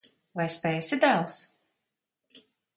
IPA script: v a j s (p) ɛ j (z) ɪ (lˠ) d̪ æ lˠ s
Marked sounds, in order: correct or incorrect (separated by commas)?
correct, incorrect, incorrect